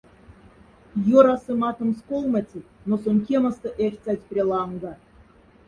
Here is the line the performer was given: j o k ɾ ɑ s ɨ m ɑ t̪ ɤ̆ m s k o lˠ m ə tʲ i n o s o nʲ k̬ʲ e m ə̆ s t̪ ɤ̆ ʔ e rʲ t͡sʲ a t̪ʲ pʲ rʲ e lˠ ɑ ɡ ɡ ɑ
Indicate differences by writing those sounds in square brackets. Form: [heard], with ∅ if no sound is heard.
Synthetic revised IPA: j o [∅] ɾ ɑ s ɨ m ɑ t̪ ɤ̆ m s k o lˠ m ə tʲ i n o s o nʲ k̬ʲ e m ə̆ s t̪ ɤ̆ ʔ e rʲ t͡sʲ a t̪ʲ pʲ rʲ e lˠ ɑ [ŋ] ɡ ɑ